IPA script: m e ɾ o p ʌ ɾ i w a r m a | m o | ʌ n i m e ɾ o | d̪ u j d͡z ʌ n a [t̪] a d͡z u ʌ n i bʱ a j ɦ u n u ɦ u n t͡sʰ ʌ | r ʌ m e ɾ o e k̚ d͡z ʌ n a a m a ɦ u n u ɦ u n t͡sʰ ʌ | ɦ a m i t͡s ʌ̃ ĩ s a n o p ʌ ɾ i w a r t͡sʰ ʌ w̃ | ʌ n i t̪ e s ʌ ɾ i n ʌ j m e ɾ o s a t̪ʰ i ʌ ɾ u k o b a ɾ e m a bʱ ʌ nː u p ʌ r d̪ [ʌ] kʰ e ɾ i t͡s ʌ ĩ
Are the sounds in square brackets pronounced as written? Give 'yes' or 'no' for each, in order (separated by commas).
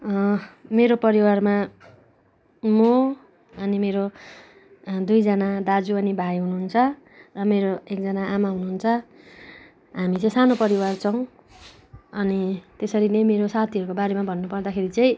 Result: no, no